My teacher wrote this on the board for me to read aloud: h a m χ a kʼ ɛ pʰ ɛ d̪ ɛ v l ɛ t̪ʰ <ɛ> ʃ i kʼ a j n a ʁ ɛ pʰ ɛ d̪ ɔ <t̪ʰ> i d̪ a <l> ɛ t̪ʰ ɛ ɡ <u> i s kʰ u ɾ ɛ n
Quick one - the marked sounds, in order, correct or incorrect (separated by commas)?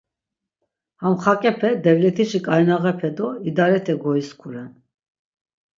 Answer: incorrect, incorrect, incorrect, incorrect